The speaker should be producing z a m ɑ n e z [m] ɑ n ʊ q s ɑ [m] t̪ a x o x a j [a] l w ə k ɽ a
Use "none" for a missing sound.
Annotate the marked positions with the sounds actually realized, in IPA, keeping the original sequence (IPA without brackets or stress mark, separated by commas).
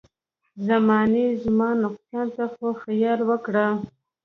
m, n, ɑ